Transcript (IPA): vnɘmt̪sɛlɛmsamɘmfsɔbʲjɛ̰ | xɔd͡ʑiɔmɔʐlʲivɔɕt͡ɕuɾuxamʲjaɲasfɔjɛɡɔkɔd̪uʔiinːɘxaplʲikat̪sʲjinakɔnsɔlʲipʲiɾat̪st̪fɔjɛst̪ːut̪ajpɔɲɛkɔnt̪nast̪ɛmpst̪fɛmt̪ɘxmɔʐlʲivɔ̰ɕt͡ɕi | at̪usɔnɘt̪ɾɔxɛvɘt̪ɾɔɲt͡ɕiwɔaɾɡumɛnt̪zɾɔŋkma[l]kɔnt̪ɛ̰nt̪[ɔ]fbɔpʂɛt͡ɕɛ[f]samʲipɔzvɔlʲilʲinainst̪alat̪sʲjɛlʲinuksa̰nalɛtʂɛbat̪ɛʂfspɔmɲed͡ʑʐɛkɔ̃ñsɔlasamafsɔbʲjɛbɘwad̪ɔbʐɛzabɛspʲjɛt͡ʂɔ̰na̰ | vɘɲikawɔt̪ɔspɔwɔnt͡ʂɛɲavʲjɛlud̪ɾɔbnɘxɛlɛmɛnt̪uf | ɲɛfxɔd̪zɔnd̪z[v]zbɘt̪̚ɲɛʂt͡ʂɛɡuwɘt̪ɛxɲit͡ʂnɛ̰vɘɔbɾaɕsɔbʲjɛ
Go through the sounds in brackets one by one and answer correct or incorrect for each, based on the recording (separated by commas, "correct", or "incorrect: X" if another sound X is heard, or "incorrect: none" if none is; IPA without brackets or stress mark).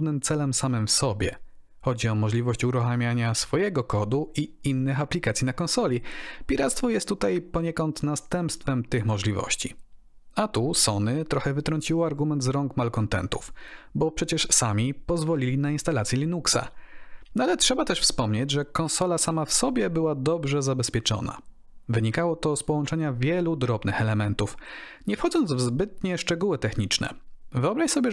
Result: correct, incorrect: u, incorrect: ʂ, correct